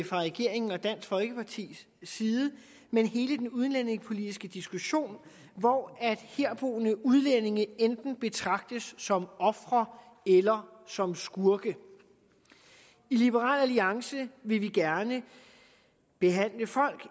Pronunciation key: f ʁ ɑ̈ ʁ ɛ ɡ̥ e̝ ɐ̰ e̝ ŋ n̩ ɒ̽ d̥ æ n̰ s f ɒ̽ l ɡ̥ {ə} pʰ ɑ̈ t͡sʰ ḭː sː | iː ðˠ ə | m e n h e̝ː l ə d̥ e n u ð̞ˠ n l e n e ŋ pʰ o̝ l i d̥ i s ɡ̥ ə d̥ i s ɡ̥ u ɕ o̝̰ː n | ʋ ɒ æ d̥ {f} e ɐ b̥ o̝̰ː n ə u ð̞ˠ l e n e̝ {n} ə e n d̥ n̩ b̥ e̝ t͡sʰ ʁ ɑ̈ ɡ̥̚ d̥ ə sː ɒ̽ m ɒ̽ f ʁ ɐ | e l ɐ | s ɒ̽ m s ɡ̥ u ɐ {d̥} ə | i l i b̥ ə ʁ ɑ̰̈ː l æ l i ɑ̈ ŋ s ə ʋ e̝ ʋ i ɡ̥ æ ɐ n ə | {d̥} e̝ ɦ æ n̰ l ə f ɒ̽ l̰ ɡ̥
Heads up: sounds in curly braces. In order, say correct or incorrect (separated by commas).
correct, incorrect, incorrect, incorrect, incorrect